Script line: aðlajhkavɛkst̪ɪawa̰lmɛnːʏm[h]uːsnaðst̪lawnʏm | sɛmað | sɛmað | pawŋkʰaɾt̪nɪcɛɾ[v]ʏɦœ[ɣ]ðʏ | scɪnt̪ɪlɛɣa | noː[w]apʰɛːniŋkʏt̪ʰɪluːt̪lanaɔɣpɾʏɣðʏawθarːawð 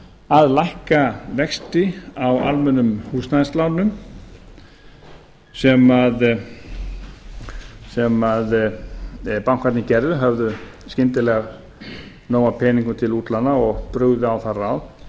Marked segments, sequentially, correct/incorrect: correct, incorrect, incorrect, correct

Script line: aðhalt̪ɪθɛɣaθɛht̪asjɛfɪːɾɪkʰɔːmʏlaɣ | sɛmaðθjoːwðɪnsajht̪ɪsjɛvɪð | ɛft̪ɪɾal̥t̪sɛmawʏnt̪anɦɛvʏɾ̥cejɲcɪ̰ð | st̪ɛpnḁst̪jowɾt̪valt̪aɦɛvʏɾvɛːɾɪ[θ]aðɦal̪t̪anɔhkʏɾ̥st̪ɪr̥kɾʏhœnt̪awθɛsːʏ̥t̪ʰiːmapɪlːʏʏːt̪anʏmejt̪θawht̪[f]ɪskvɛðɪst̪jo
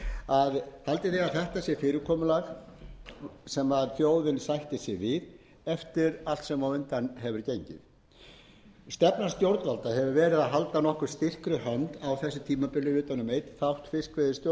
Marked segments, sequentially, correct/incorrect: incorrect, correct

